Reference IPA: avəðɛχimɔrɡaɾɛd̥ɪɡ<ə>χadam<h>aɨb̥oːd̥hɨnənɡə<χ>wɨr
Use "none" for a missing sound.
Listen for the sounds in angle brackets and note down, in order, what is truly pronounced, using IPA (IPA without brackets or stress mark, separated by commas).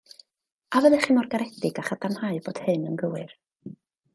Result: a, h, none